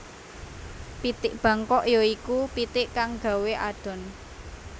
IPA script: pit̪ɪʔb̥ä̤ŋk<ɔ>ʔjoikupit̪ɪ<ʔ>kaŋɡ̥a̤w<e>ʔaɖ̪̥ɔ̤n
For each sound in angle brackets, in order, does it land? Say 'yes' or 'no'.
yes, yes, yes

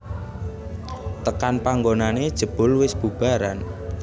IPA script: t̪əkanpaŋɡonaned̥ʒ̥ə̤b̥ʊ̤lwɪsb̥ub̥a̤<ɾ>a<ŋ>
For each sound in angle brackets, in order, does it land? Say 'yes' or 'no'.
yes, no

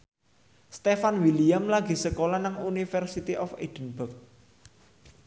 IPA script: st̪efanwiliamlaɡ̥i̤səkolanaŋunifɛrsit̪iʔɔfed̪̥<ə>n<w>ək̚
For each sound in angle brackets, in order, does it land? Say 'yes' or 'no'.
yes, no

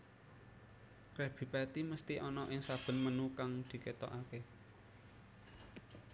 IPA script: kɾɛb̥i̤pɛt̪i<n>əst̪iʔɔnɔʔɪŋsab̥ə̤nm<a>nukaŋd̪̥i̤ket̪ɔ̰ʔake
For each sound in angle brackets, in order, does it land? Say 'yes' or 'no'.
no, no

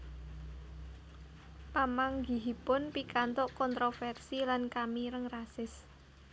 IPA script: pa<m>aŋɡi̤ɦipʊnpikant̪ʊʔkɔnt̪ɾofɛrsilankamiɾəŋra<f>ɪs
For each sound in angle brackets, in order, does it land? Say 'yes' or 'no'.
yes, no

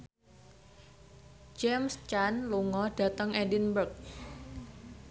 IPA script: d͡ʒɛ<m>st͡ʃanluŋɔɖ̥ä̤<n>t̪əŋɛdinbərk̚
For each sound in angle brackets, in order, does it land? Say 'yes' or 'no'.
yes, no

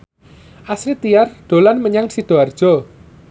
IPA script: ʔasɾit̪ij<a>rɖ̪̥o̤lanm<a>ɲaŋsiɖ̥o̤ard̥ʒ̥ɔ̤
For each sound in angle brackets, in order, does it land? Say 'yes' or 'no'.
yes, no

